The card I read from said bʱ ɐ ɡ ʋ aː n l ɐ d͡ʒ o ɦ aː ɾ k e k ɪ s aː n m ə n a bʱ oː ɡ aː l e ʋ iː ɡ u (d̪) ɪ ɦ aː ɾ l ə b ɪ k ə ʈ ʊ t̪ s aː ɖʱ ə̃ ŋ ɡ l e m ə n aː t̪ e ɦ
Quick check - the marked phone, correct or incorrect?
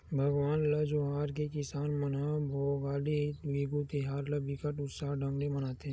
incorrect